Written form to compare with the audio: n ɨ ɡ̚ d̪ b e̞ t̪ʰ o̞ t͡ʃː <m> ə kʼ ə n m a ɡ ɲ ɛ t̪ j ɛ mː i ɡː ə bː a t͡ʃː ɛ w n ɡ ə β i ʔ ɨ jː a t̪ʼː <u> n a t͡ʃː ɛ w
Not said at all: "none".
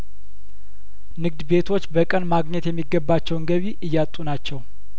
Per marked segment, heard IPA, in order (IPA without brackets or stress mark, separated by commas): b, u